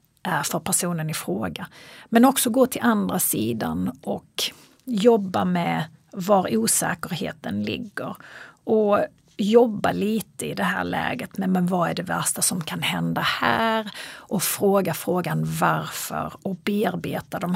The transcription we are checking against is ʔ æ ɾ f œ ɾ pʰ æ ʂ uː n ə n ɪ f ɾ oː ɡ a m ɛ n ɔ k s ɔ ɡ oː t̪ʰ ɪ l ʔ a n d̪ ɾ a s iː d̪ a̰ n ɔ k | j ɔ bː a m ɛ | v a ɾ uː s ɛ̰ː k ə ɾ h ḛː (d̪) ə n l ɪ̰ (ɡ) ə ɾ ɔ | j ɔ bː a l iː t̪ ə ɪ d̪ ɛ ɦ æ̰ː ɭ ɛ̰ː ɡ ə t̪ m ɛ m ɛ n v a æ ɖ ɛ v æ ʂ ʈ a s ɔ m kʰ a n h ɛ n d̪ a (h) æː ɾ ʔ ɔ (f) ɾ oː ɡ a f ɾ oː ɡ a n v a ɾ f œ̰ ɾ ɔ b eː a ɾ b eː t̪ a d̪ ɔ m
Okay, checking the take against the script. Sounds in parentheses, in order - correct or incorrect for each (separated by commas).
incorrect, incorrect, correct, correct